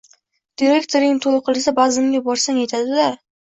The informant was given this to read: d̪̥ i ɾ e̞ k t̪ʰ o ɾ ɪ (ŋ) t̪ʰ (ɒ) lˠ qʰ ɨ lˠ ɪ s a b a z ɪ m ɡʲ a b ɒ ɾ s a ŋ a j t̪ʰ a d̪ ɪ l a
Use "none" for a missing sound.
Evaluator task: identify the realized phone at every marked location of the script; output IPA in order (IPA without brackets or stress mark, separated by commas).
ŋ, o